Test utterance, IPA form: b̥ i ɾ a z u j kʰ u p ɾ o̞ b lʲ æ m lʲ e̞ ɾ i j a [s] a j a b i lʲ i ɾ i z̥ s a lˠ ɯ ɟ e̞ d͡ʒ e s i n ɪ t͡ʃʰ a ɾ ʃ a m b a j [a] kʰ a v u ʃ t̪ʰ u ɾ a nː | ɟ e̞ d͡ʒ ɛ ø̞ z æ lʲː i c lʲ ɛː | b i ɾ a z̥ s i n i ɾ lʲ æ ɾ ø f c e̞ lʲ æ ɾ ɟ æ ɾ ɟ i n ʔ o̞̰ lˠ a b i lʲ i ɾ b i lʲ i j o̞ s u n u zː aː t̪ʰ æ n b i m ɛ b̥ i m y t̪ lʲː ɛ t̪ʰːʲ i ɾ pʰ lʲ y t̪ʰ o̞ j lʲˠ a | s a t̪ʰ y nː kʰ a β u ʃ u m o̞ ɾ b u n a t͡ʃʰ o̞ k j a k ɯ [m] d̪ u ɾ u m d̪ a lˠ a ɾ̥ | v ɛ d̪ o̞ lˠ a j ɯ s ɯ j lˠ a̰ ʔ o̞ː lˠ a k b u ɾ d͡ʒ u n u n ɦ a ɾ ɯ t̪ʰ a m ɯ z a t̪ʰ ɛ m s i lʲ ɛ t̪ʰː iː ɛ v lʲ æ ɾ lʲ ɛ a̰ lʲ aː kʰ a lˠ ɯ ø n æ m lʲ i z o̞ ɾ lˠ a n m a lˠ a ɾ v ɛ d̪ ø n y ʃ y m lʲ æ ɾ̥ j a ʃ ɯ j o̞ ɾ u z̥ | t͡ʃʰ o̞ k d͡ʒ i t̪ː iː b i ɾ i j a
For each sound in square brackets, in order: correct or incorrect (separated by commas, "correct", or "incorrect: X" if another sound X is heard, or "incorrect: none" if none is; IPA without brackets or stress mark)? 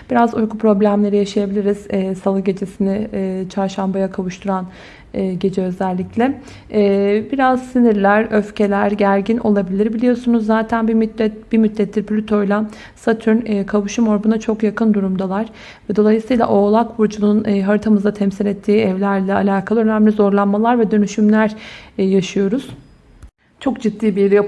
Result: incorrect: ʃ, correct, incorrect: n